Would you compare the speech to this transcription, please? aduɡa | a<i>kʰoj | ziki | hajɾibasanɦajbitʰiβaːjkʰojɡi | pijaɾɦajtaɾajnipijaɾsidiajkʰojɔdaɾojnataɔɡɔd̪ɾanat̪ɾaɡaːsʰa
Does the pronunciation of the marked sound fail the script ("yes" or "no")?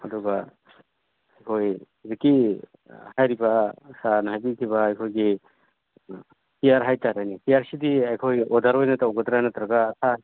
yes